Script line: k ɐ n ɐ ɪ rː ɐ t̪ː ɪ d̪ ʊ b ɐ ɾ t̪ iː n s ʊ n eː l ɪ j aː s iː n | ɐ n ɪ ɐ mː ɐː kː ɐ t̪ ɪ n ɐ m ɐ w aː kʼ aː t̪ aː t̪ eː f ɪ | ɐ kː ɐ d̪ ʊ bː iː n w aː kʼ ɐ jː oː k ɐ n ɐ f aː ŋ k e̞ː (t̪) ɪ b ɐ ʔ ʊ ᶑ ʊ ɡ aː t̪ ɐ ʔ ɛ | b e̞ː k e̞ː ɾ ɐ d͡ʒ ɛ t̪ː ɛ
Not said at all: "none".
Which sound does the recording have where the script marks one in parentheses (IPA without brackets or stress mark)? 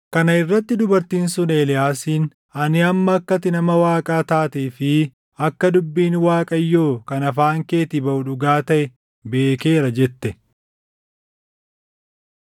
t̪